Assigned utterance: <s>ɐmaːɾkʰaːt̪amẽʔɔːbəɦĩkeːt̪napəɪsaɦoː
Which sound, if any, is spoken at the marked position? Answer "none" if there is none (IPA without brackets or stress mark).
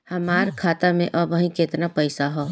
h